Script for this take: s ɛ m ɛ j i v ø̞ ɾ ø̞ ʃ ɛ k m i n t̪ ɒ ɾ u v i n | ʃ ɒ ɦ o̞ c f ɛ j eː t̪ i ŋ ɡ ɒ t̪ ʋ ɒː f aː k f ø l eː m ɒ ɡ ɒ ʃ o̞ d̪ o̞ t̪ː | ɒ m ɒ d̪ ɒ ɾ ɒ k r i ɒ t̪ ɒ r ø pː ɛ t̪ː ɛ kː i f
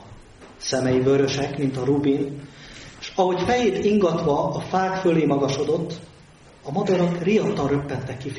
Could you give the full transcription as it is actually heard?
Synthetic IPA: s ɛ m ɛ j i v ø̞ ɾ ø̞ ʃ ɛ k m i n t̪ ɒ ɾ u b i n | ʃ ɒ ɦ o̞ c f ɛ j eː t̪ i ŋ ɡ ɒ t̪ ʋ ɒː f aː k f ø l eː m ɒ ɡ ɒ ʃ o̞ d̪ o̞ t̪ː | ɒ m ɒ d̪ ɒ ɾ ɒ k r i ɒ t̪ ɒ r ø pː ɛ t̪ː ɛ kː i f